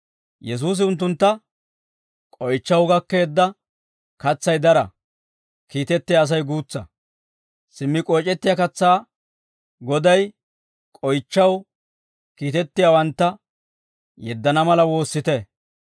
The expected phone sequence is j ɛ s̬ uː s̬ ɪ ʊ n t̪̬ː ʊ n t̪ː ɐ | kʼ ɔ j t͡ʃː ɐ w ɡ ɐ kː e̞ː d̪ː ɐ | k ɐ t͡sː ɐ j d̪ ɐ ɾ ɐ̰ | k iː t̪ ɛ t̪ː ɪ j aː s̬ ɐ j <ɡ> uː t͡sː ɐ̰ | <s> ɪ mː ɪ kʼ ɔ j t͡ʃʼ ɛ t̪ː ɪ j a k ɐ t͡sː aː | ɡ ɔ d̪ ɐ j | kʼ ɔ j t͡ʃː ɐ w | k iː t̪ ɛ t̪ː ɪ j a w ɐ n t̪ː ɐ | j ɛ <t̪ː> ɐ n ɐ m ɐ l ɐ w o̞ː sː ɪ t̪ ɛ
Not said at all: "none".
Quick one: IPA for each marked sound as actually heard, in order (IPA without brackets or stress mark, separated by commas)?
ɡ, s, d̪ː